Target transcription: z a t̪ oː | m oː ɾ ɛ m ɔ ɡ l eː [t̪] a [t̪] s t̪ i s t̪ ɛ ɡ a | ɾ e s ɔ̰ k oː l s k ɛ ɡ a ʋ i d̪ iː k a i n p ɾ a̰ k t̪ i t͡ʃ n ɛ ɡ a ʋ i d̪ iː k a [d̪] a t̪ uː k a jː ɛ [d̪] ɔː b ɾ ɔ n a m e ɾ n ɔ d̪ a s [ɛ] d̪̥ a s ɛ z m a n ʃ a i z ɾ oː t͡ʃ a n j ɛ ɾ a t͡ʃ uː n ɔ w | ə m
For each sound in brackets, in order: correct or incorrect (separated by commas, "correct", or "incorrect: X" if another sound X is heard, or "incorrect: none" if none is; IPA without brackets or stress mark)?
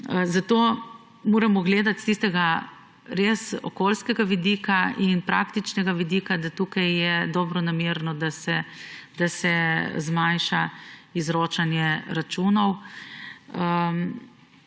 incorrect: d̪, correct, correct, correct, correct